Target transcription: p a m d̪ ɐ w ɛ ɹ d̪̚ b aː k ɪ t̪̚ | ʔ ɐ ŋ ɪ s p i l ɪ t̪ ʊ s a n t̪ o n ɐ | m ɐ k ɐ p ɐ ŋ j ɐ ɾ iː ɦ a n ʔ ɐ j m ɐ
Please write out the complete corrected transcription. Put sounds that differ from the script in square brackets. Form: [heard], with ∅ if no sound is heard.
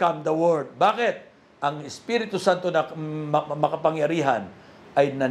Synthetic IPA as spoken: [k] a m d̪ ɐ w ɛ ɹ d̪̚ b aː k ɪ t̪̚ | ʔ ɐ ŋ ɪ s p i [ɾ] ɪ t̪ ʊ s a n t̪ o n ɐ | m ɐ k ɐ p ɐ ŋ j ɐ ɾ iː ɦ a n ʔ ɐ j [n] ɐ